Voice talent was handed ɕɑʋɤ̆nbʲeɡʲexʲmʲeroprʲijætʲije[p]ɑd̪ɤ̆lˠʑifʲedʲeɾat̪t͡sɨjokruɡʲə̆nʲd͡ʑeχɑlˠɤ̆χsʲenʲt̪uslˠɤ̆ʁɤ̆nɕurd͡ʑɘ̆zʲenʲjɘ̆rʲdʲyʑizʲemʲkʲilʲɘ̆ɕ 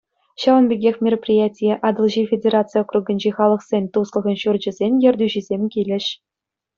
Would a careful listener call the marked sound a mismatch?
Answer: yes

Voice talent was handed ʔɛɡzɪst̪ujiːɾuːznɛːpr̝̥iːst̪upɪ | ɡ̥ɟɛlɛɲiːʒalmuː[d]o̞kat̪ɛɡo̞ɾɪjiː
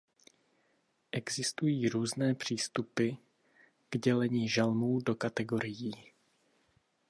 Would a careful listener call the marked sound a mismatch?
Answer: no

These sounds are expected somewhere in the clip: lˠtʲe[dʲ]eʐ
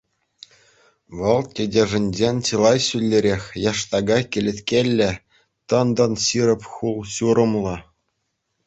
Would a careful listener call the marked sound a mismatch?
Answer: no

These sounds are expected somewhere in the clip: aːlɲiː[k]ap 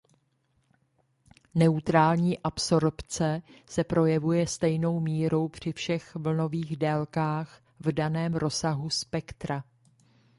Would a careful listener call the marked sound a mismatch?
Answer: yes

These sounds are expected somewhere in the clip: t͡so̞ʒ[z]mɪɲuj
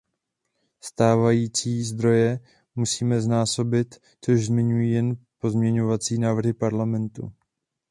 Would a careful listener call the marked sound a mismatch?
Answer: no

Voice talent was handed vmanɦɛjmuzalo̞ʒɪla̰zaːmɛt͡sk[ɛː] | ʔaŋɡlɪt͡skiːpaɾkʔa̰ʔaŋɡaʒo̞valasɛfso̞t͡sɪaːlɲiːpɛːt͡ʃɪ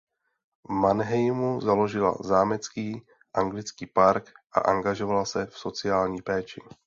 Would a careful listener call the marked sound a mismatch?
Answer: yes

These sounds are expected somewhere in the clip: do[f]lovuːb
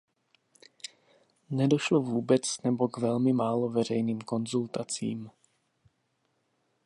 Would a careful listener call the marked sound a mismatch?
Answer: yes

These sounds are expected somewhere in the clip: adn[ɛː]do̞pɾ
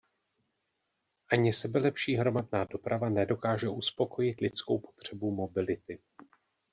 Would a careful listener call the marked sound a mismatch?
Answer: yes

